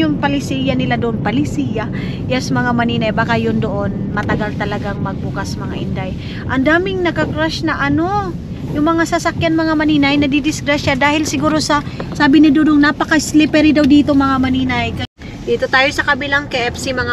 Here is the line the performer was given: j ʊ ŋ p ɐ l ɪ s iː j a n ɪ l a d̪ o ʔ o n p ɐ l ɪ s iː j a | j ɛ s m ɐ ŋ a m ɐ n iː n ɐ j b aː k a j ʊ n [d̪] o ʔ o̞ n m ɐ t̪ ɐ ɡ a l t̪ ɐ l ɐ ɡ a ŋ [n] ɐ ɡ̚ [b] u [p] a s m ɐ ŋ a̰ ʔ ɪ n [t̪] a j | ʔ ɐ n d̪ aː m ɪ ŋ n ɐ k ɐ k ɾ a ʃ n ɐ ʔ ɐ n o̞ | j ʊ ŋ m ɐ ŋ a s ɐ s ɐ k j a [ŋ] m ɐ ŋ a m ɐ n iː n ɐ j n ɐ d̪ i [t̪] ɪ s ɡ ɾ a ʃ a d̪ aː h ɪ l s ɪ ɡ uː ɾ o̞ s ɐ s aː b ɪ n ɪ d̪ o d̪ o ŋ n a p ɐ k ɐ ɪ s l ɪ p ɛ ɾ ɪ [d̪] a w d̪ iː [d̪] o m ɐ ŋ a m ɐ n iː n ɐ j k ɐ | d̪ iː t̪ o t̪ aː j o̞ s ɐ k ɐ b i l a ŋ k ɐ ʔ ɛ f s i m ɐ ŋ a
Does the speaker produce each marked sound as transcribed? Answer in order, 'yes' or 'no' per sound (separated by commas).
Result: yes, no, yes, no, no, no, no, yes, no